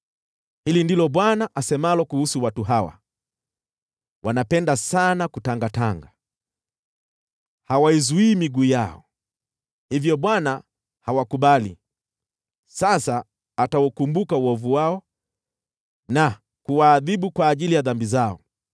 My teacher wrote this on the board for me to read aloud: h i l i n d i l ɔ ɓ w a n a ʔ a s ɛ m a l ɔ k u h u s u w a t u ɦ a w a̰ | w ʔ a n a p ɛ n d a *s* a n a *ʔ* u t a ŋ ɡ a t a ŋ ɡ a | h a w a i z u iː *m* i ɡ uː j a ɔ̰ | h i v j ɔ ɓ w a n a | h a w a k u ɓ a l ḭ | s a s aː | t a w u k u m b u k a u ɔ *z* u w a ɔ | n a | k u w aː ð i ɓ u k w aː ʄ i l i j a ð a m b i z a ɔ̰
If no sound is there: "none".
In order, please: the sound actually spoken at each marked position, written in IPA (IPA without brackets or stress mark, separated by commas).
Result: s, k, m, v